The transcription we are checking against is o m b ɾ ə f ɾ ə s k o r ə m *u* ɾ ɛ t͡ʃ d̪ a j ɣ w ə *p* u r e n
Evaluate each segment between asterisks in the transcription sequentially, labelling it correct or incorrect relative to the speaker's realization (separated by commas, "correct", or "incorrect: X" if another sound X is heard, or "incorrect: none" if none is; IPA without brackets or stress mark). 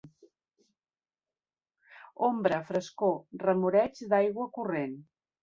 correct, incorrect: k